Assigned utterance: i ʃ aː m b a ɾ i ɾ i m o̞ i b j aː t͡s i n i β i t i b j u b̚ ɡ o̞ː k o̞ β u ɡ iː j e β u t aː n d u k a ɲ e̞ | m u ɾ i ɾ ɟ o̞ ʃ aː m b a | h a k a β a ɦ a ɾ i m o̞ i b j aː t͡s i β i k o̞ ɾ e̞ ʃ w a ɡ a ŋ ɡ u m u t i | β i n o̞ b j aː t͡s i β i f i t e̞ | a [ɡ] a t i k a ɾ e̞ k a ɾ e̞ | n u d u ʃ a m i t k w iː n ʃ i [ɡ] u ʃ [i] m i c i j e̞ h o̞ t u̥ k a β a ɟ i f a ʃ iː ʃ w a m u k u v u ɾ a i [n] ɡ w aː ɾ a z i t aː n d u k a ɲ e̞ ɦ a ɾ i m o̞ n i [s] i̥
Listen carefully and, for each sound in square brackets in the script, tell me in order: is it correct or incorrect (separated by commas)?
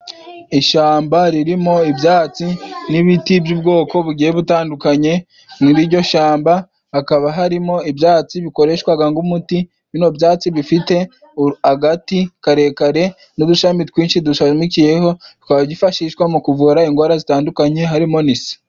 correct, incorrect, incorrect, incorrect, correct